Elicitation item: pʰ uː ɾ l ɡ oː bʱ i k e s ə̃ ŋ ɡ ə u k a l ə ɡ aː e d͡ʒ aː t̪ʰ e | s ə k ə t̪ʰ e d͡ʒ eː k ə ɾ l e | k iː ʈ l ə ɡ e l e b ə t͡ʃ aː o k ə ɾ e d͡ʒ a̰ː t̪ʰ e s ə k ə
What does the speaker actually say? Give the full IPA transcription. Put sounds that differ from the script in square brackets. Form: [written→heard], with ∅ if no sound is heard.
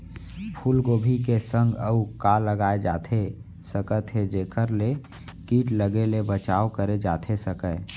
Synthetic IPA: pʰ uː [ɾ→∅] l ɡ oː bʱ i k e s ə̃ ŋ ɡ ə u k a l ə ɡ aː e d͡ʒ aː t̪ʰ e | s ə k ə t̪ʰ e d͡ʒ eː k ə ɾ l e | k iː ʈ l ə ɡ e l e b ə t͡ʃ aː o k ə ɾ e d͡ʒ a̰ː t̪ʰ e s ə k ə